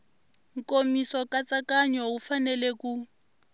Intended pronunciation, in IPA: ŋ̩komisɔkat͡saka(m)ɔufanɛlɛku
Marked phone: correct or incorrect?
incorrect